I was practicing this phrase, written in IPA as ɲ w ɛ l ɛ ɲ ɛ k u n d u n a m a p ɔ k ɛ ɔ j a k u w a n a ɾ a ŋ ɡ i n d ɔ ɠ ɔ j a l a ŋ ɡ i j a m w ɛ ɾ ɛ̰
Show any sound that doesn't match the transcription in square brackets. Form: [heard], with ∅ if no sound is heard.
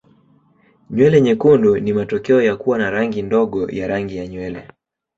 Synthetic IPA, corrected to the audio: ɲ w ɛ l ɛ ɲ ɛ k u n d u n [i] m a [t] ɔ k ɛ ɔ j a k u w a n a ɾ a ŋ ɡ i n d ɔ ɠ ɔ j a [ɾ] a ŋ ɡ i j a [ɲ] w ɛ [l] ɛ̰